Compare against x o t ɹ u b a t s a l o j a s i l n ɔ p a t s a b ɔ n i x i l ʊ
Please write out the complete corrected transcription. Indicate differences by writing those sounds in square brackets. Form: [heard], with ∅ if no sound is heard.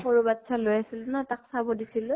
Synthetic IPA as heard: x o [∅] ɹ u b a t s a l o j a s i l n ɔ [t] a [k] s a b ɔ [d] i [s] i l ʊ